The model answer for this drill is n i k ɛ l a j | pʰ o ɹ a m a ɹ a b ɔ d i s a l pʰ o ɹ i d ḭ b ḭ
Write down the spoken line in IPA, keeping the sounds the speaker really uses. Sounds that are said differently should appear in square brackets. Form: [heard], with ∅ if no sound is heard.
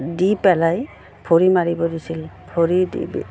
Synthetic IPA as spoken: [d] i [p] ɛ l a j | pʰ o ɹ [i] m a ɹ [i] b ɔ d i s [i] l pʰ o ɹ i d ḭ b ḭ